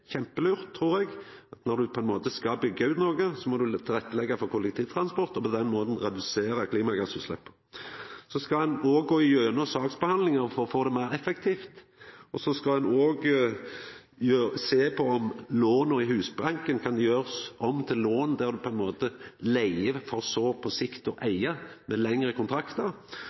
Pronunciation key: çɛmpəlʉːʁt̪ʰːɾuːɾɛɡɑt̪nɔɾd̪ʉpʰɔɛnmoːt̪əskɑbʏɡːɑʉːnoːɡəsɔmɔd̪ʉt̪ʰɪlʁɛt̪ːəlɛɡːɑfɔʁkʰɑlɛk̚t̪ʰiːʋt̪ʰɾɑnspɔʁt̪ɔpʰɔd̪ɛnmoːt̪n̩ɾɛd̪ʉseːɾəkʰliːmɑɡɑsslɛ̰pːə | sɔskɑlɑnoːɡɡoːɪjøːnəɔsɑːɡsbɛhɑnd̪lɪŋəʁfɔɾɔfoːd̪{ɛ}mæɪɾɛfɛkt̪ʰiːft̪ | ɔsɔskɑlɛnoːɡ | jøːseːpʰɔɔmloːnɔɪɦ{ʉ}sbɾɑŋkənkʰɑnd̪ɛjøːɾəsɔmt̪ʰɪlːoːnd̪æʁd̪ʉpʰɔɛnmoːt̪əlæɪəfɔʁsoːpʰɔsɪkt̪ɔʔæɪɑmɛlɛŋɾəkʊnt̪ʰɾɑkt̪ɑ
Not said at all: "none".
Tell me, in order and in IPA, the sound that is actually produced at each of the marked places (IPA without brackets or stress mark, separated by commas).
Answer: ɛ, ʉː